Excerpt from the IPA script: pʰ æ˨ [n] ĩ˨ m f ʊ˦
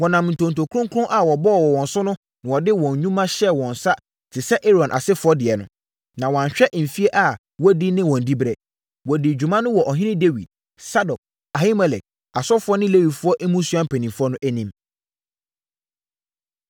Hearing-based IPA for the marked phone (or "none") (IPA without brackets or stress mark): n